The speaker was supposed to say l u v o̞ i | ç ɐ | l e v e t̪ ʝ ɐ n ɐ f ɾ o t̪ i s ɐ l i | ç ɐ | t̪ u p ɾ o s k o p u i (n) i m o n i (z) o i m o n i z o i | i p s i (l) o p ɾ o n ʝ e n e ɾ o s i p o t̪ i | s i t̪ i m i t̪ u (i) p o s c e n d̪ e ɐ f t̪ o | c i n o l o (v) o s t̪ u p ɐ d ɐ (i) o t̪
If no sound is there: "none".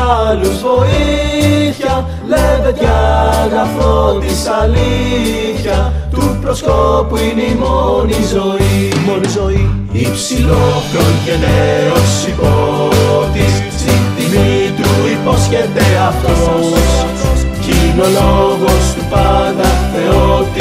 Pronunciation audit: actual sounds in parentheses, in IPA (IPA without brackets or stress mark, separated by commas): n, z, l, i, ɣ, e